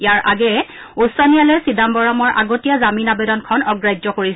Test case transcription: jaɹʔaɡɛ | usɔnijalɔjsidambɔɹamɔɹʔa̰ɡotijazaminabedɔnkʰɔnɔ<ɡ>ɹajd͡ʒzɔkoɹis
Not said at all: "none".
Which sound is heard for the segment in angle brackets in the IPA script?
ɡ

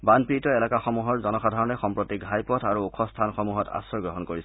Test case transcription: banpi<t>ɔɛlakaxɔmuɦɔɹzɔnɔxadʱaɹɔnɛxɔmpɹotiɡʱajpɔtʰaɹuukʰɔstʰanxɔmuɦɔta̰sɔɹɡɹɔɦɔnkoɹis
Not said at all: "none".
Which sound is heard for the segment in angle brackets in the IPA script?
t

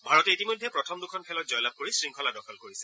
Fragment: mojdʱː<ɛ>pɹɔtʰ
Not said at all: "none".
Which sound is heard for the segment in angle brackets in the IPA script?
ɛ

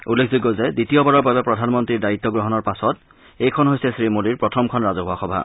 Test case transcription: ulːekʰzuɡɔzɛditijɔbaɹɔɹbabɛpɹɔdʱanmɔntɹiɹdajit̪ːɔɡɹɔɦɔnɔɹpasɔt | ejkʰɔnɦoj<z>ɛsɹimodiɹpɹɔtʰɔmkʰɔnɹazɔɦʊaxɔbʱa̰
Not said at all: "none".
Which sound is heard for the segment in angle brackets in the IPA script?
s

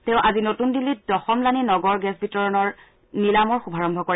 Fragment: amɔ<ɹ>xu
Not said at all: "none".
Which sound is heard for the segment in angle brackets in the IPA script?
ɹ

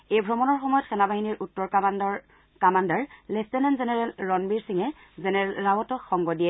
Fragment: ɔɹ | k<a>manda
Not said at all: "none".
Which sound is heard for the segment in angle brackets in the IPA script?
a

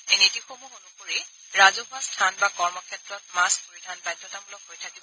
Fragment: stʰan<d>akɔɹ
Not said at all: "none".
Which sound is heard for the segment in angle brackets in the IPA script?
b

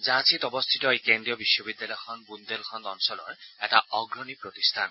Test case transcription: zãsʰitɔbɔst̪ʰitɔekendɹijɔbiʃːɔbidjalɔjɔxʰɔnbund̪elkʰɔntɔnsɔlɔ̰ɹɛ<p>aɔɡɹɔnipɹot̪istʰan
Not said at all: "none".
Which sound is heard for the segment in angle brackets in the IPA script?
t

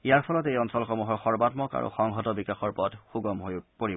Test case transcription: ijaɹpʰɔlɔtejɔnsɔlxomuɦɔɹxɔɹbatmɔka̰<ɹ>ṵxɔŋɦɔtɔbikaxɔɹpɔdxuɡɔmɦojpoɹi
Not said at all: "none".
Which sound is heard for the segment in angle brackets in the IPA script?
ɹ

